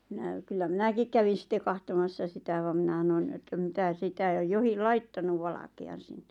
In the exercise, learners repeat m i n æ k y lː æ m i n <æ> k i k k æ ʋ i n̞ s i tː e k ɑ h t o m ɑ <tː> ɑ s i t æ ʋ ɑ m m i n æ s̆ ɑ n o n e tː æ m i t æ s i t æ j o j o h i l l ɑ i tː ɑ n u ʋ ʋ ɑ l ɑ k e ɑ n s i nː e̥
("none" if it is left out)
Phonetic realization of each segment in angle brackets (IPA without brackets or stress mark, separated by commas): æ, sː